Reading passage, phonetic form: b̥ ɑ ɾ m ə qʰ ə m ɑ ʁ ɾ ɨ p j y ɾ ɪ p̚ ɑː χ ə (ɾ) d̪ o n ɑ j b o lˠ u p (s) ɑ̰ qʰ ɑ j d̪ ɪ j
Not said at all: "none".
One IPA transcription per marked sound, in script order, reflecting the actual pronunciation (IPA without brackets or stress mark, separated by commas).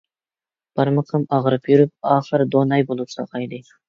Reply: ɾ, s